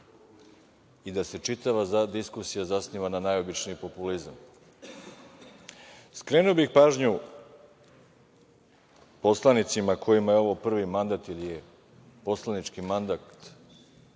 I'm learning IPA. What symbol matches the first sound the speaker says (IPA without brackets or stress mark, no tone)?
i